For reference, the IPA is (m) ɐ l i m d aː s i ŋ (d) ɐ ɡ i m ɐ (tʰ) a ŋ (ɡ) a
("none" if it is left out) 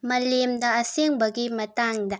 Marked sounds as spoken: m, b, t, d

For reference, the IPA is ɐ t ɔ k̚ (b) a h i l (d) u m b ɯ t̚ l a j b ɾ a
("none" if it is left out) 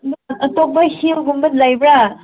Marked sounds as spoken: b, ɡ

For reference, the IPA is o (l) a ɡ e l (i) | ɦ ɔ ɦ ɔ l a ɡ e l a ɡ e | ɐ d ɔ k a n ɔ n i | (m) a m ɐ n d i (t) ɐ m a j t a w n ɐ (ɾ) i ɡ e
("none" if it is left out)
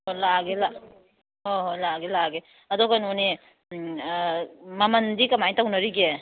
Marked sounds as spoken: l, a, m, k, ɾ

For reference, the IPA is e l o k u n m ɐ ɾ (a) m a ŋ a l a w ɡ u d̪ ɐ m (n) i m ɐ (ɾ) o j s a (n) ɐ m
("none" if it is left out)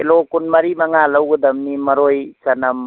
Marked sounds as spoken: i, n, ɾ, n

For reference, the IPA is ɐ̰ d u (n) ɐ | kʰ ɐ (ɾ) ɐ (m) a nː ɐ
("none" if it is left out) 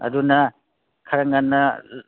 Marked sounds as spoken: n, ɾ, ŋ

